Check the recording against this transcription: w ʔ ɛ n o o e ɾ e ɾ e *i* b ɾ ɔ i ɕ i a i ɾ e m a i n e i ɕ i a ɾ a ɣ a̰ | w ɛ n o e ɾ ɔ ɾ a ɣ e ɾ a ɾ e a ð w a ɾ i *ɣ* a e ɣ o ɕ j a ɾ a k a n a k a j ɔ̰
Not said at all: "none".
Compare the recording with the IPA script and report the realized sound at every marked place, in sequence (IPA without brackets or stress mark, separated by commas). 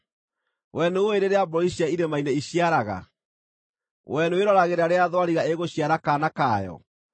a, ɣ